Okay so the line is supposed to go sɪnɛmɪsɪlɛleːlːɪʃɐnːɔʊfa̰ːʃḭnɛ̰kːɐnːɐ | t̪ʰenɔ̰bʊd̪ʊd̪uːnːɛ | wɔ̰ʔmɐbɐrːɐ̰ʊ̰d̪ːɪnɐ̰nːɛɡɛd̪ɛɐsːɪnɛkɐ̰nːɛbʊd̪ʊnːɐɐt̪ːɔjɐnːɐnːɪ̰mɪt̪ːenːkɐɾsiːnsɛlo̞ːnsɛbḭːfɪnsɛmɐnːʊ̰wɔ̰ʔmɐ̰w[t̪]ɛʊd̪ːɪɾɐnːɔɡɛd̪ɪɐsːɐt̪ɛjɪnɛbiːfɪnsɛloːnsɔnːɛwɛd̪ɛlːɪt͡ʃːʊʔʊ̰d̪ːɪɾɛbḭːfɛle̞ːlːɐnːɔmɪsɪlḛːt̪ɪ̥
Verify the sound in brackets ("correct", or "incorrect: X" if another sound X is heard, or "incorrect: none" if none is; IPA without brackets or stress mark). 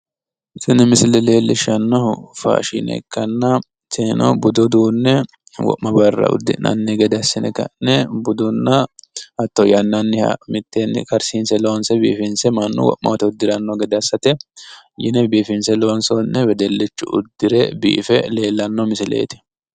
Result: correct